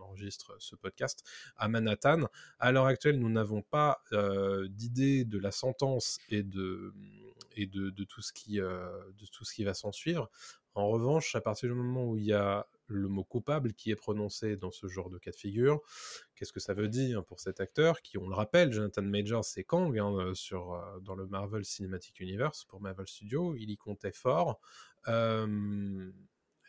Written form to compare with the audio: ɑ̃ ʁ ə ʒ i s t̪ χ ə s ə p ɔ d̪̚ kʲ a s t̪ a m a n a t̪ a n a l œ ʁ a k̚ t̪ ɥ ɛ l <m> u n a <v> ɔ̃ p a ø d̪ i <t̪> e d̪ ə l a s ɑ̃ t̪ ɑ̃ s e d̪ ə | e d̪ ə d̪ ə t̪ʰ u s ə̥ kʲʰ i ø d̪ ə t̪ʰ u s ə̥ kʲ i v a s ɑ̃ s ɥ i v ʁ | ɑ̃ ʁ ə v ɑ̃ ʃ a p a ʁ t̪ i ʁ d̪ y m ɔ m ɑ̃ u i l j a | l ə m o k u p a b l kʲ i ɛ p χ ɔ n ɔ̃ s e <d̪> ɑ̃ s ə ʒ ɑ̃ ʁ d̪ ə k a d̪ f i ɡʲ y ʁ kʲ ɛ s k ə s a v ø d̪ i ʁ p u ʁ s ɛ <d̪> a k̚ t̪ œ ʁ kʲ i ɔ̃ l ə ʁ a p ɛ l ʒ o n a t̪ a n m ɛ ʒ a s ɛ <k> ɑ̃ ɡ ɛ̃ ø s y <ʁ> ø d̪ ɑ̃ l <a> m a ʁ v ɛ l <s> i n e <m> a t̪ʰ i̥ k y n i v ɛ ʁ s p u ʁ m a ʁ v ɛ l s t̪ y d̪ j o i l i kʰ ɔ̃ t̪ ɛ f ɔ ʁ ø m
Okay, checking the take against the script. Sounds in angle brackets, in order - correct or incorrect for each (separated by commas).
incorrect, correct, incorrect, correct, incorrect, correct, correct, incorrect, correct, correct